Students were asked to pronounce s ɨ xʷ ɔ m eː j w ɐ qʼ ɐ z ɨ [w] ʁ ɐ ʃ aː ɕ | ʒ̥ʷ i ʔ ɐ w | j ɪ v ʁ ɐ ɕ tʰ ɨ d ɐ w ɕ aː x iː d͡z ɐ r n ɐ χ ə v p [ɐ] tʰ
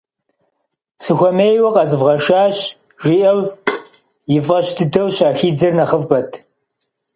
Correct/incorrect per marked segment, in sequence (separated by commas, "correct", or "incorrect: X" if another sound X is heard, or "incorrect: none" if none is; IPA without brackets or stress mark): incorrect: v, correct